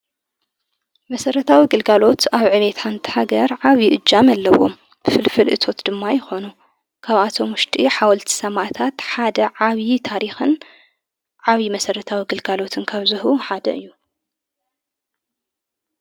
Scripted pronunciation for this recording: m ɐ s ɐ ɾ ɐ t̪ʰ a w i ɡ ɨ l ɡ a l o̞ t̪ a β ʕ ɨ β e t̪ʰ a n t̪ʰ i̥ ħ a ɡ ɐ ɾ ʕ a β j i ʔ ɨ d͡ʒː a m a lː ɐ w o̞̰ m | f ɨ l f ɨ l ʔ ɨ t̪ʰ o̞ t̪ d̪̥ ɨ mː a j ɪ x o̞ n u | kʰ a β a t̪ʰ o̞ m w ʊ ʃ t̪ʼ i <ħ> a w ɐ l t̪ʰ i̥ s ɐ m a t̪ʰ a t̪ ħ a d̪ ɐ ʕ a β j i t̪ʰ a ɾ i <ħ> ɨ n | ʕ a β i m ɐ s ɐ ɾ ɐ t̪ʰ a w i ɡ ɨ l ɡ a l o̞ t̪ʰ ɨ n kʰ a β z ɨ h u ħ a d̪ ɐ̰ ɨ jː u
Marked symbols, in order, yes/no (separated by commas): yes, no